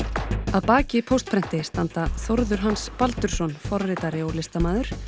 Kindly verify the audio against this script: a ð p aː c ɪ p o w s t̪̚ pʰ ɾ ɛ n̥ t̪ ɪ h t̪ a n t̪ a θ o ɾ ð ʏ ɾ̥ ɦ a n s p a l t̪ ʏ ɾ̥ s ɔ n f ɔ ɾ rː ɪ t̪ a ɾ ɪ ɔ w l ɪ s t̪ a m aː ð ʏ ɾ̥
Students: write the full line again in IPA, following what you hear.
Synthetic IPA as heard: a ð p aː c ɪ pʰ o w s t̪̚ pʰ ɾ ɛ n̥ t̪ ɪ s t̪ a n t̪ a θ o ɾ ð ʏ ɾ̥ ɦ a n s p a l t̪ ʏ ɾ̥ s ɔ n f ɔ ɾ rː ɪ t̪ a ɾ ɪ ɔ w l ɪ s t̪ a m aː ð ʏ ɾ̥

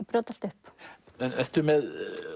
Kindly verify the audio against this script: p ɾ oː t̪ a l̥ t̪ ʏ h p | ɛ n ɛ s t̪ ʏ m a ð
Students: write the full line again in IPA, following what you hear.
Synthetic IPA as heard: p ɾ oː t̪ a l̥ t̪ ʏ h p | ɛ n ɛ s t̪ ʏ m ɛ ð

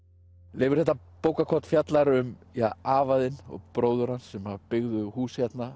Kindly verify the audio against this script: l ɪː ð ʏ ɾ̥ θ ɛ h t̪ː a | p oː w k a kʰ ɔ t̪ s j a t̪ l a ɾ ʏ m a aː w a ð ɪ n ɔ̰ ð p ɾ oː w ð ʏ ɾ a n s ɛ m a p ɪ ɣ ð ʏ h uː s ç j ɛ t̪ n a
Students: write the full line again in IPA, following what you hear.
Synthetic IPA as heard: l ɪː v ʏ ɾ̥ θ ɛ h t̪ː a | p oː w k a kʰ ɔ t̪ f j a t̪ l a ɾ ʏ m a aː v a ð ɪ n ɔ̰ ɣ p ɾ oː w ð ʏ ɾ a n s ɛ m a p ɪ ɣ ð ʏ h uː s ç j ɛ t̪ n a

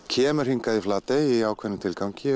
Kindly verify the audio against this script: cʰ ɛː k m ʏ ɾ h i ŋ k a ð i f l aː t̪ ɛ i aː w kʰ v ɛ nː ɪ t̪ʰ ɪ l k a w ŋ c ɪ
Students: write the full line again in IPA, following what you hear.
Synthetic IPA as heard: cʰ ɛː m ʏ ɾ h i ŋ k a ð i f l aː t̪ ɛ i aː w kʰ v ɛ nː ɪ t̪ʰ ɪ l k a w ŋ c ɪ

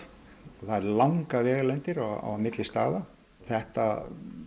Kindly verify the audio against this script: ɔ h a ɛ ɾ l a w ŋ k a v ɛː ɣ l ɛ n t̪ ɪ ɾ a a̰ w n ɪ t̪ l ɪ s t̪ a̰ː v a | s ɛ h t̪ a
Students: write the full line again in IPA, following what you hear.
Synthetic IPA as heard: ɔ θ a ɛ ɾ l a w ŋ k a v ɛː ɣ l ɛ n t̪ ɪ ɾ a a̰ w m ɪ t̪ l ɪ s t̪ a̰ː ð a | θ ɛ h t̪ a

